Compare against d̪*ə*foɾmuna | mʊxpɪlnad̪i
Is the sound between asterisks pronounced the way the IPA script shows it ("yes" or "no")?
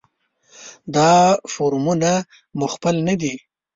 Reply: no